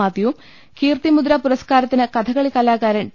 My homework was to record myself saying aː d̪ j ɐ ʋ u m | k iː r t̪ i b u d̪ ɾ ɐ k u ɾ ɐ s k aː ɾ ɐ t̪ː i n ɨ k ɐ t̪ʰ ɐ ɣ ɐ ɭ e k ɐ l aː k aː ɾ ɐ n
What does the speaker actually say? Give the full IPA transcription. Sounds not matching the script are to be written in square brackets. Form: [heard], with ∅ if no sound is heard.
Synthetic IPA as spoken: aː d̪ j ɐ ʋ u m | k iː r t̪ i [m] u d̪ ɾ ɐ [p] u ɾ ɐ s k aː ɾ ɐ t̪ː i n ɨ k ɐ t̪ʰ ɐ ɣ ɐ ɭ [i] k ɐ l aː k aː ɾ ɐ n